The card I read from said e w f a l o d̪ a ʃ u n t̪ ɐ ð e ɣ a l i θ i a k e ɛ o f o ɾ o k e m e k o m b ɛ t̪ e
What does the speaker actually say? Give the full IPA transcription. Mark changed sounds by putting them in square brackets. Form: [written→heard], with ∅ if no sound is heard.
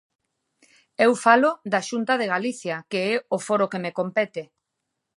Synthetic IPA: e w f a l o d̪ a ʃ u n t̪ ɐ ð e ɣ a l i θ [i→j] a k e ɛ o f o ɾ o k e m e k o m [b→p] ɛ t̪ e